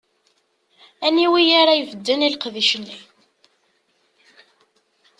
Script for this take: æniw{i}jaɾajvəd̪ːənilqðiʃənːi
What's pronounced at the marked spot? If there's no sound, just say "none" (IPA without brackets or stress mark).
i